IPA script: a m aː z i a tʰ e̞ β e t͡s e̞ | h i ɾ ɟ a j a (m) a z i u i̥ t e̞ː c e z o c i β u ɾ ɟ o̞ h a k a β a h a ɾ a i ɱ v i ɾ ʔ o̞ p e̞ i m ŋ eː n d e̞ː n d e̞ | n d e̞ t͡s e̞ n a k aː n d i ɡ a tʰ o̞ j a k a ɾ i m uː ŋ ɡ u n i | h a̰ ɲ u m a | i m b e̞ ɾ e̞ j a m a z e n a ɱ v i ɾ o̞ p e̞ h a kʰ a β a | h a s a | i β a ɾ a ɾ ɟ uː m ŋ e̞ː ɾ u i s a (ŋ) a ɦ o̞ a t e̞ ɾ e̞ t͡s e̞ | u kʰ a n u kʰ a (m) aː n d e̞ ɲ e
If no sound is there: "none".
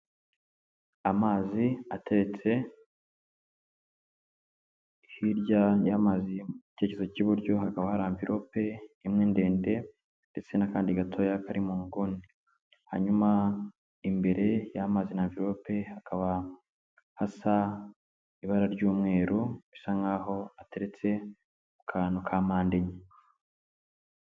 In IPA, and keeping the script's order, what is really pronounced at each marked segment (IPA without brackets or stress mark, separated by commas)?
m, ŋ, m